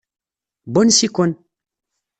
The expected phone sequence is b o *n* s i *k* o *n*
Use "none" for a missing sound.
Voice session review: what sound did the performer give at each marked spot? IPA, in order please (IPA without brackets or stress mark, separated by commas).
n, k, n